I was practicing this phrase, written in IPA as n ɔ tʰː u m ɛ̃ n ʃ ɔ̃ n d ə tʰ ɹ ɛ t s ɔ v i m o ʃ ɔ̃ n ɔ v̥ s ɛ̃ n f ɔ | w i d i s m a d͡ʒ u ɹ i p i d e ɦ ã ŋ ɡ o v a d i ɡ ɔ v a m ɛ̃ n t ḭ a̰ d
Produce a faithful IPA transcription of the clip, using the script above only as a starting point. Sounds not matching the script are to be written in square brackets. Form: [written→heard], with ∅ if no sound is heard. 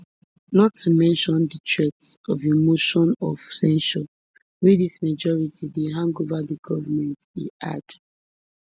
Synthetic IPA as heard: n ɔ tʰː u m ɛ̃ n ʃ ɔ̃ n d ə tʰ ɹ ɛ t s ɔ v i m o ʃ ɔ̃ n ɔ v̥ s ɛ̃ n [f→ʃ] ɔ | w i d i s m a d͡ʒ [u→ɔ] ɹ i [p→t] i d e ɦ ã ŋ ɡ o v a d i ɡ ɔ v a m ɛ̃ n t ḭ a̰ d